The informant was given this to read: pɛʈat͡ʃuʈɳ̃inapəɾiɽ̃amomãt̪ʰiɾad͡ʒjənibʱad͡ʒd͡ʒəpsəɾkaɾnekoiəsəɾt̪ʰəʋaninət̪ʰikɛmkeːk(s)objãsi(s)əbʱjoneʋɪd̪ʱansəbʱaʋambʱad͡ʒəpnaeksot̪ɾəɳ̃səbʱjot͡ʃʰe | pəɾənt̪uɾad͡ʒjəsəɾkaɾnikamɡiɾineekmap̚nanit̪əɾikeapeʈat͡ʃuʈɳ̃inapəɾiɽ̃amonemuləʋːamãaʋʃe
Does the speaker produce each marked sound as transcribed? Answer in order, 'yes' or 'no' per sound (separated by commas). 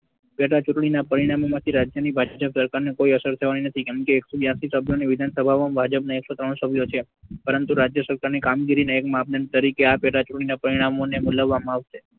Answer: yes, yes